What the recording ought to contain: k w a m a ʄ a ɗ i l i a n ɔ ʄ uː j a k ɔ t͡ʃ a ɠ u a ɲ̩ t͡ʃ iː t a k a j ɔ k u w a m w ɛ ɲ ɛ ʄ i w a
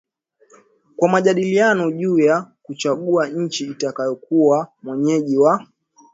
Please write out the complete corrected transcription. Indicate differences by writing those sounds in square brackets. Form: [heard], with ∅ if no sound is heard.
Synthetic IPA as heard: k w a m a ʄ a ɗ i l i a n ɔ ʄ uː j a k [u] t͡ʃ a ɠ u a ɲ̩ t͡ʃ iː t a k a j ɔ k u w a m w ɛ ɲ ɛ ʄ i w a